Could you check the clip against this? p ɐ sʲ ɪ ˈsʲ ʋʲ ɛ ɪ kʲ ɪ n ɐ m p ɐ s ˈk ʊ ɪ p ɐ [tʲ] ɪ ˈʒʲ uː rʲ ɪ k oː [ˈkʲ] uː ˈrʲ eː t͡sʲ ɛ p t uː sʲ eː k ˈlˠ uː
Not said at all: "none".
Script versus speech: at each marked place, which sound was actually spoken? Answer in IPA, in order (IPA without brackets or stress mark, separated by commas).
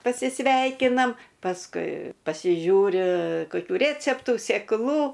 sʲ, kʲ